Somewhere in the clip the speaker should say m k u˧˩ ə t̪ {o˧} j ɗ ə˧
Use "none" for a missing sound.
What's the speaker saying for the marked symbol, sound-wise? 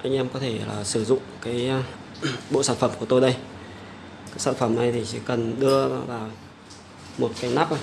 o˧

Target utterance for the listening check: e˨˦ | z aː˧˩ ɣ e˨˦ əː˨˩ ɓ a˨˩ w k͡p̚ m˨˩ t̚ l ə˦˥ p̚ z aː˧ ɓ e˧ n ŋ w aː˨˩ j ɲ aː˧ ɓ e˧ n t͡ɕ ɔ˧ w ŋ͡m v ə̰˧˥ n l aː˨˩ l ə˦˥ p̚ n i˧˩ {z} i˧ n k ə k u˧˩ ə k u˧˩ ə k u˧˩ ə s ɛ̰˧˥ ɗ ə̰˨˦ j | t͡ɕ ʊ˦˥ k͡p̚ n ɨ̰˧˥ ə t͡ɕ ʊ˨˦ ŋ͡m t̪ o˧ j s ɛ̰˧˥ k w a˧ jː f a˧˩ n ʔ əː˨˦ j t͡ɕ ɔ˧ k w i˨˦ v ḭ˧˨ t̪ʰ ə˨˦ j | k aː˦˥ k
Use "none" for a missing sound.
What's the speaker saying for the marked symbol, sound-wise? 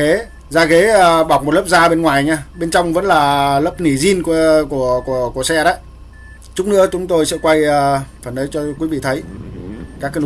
z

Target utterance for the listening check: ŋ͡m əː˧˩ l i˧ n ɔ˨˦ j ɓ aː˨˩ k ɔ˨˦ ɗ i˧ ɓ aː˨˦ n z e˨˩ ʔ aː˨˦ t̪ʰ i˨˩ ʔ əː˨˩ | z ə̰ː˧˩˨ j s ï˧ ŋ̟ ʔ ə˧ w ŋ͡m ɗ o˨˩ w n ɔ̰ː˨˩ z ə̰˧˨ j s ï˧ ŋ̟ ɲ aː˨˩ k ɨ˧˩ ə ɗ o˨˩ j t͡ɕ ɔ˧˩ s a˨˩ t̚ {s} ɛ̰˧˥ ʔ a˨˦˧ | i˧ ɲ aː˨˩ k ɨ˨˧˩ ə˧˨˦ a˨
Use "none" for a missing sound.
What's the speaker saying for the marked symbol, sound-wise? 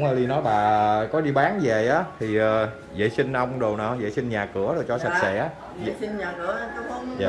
s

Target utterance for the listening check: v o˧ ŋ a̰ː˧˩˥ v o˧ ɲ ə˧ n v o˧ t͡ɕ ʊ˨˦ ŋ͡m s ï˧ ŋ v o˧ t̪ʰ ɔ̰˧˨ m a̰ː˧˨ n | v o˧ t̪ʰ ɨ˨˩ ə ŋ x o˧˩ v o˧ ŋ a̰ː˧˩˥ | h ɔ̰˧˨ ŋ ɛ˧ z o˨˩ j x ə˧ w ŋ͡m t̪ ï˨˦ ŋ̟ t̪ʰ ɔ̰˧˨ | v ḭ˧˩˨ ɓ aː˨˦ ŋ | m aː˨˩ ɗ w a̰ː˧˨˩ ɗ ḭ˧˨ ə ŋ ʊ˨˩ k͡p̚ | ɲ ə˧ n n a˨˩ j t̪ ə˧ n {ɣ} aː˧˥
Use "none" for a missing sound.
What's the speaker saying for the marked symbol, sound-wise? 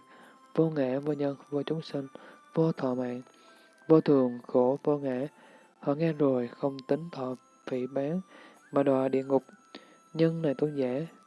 z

